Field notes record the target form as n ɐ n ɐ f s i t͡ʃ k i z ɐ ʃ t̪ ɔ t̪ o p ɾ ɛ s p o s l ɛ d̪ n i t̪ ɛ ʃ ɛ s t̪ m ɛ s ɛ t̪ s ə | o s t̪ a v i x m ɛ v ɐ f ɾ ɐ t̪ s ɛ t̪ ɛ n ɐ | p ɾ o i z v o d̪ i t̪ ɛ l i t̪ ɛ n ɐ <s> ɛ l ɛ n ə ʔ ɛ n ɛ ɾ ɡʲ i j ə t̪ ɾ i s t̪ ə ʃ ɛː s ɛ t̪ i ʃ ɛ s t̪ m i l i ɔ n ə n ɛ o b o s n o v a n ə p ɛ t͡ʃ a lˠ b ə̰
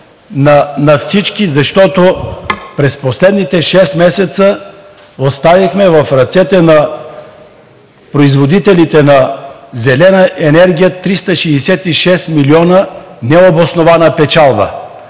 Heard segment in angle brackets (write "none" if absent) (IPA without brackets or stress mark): z